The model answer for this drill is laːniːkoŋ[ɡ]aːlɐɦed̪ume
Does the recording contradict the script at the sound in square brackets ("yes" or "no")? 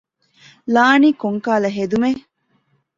yes